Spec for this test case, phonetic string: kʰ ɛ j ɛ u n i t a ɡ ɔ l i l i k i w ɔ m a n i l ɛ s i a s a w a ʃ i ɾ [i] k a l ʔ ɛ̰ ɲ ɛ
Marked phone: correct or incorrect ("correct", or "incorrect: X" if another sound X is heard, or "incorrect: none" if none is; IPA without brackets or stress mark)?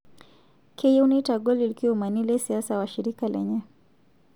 correct